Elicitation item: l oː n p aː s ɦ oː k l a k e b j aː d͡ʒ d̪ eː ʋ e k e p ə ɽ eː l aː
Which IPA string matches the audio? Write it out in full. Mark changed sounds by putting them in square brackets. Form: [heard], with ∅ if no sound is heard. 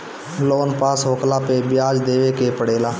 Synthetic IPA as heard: l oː n p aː s ɦ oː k l a [p] e b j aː d͡ʒ d̪ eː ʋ e k e p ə ɽ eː l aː